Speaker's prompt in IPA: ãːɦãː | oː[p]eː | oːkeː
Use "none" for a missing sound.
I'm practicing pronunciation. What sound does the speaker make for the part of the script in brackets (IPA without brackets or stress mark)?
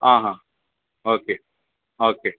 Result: k